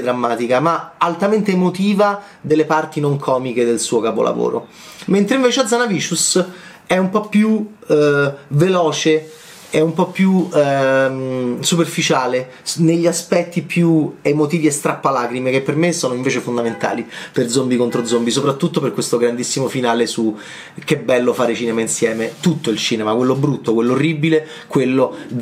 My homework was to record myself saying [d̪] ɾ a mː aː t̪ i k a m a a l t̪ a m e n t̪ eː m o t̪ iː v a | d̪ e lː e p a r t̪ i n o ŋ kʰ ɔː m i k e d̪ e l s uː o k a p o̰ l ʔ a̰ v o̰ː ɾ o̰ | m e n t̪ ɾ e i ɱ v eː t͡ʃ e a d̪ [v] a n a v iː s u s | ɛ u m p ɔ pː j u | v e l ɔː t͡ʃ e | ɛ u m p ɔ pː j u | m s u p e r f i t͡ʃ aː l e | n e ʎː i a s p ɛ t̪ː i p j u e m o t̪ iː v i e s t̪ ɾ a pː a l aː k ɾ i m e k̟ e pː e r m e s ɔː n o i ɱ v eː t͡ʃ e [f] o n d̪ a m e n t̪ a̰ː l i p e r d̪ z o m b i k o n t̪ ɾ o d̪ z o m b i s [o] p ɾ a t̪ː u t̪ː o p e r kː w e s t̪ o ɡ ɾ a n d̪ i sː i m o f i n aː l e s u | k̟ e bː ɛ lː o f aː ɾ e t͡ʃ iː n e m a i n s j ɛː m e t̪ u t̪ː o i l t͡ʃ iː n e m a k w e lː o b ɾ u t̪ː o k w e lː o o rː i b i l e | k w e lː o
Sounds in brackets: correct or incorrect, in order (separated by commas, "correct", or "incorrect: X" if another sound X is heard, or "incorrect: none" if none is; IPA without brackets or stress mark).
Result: correct, incorrect: z, correct, correct